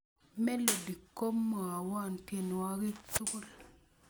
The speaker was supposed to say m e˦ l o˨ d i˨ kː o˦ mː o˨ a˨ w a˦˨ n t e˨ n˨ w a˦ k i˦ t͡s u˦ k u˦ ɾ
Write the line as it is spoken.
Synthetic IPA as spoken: m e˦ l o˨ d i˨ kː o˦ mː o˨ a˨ w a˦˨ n t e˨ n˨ w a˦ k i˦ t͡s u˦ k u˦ l